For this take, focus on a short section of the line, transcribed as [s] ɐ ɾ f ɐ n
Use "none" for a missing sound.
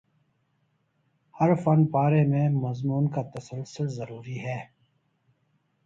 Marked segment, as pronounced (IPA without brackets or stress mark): h